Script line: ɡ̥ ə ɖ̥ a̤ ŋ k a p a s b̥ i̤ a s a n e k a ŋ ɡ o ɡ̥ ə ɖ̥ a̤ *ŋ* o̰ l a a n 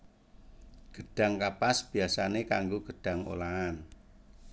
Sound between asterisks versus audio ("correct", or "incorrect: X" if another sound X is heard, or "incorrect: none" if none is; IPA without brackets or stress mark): correct